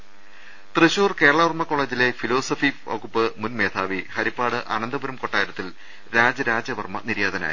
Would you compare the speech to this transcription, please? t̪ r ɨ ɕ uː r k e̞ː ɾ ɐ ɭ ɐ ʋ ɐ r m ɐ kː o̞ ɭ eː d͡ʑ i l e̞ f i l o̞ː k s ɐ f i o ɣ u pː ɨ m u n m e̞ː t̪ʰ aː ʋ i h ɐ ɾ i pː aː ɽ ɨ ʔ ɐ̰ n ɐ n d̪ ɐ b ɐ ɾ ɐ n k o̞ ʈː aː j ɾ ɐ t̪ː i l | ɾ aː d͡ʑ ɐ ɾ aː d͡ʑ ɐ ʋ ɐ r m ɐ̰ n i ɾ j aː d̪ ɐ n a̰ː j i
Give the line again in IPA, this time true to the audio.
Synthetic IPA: t̪ r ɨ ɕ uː r k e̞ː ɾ ɐ ɭ ɐ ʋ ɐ r m ɐ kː o̞ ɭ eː d͡ʑ i l e̞ f i l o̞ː s ɐ f i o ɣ u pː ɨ m u n m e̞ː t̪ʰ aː ʋ i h ɐ ɾ i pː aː ɽ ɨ ʔ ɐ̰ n ɐ n d̪ ɐ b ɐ ɾ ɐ m k o̞ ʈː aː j ɾ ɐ t̪ː i l | ɾ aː d͡ʑ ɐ ɾ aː d͡ʑ ɐ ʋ ɐ r m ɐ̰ n i ɾ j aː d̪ ɐ n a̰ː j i